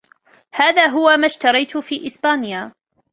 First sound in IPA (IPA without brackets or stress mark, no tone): h